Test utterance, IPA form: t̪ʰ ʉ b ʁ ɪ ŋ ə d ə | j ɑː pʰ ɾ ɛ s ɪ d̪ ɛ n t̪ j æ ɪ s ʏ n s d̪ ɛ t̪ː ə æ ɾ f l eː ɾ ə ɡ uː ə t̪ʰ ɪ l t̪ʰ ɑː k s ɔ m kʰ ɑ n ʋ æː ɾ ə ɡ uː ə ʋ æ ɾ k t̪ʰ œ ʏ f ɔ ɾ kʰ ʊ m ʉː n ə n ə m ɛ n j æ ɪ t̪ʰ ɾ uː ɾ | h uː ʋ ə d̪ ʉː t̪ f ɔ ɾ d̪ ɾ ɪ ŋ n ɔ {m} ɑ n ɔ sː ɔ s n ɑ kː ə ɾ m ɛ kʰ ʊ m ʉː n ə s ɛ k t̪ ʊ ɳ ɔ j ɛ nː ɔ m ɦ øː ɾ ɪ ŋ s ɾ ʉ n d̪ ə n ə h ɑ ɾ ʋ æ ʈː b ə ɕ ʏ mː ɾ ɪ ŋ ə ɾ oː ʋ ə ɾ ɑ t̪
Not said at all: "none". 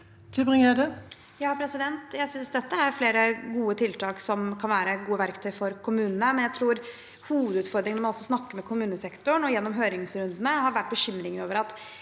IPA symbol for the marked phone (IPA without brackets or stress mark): m